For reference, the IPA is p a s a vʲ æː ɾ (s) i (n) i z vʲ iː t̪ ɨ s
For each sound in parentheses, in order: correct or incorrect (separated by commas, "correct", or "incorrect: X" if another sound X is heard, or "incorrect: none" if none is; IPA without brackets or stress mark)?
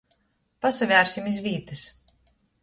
correct, incorrect: m